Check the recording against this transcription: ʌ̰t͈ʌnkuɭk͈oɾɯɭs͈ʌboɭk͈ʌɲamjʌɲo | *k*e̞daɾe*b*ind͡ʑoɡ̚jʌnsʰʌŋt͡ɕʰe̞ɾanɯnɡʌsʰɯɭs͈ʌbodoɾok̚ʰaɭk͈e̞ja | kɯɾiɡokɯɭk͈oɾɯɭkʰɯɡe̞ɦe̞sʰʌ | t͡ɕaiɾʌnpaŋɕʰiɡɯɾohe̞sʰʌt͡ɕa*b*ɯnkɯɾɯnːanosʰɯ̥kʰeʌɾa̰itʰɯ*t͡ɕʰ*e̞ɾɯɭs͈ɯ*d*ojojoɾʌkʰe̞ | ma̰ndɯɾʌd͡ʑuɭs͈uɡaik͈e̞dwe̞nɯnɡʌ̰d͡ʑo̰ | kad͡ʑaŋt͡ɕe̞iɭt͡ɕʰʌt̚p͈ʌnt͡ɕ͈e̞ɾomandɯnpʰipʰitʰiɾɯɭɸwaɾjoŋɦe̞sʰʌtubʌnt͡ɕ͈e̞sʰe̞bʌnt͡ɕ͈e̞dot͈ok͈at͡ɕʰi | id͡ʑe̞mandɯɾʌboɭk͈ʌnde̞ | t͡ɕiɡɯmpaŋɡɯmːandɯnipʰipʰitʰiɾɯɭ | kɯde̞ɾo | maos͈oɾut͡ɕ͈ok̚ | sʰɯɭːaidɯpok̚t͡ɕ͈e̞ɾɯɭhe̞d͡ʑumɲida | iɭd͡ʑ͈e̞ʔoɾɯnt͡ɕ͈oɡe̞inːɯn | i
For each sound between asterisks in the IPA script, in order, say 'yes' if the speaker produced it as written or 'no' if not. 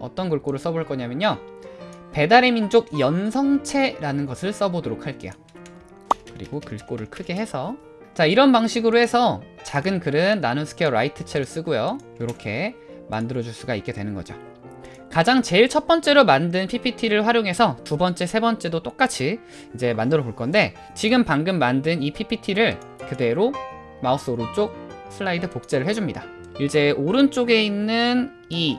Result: no, no, no, yes, no

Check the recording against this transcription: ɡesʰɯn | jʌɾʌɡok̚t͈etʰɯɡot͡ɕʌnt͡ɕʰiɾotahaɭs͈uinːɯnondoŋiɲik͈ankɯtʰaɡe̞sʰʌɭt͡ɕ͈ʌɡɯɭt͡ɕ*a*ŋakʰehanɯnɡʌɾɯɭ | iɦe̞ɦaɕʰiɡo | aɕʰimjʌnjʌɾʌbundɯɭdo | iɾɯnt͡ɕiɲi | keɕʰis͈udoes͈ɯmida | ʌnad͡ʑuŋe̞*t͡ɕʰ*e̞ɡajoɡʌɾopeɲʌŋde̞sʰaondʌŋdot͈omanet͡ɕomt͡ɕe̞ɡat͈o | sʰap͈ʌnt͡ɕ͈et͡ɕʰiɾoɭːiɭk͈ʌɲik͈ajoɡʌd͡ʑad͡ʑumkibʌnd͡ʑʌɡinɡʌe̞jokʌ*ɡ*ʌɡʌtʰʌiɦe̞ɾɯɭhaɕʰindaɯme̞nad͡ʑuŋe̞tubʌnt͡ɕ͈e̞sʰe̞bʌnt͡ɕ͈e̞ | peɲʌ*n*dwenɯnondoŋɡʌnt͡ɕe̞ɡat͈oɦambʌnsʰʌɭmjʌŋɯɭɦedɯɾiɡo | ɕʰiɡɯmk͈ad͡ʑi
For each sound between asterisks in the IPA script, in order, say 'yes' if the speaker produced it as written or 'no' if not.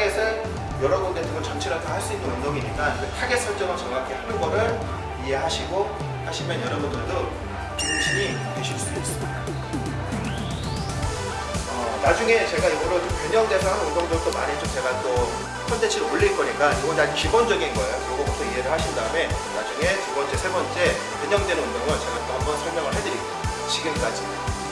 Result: no, no, yes, no

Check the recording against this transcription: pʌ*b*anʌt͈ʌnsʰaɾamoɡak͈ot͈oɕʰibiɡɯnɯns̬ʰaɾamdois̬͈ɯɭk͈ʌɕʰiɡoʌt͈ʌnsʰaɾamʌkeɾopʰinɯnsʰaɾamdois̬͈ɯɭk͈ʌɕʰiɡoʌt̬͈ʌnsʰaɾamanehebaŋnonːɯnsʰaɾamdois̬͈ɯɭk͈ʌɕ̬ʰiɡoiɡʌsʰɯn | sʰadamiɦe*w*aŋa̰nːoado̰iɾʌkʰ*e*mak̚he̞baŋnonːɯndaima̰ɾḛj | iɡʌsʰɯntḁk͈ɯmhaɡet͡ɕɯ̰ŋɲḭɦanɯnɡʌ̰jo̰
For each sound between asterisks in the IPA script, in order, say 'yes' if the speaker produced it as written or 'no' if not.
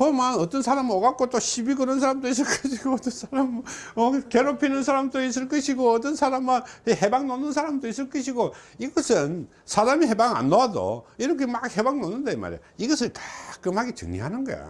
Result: no, no, yes

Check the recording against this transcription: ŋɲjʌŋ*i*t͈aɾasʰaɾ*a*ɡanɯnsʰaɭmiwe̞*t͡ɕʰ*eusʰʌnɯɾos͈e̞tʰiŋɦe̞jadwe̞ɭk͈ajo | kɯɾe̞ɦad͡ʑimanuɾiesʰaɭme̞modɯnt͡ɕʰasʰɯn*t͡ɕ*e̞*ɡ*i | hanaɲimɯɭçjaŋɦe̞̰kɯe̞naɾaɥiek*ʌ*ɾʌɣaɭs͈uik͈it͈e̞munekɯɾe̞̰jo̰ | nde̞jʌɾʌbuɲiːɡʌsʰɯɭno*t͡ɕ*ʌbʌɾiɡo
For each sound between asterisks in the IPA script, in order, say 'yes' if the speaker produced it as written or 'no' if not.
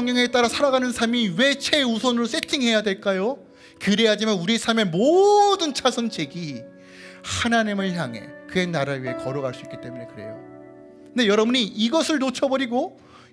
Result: no, yes, yes, yes, yes, yes, no

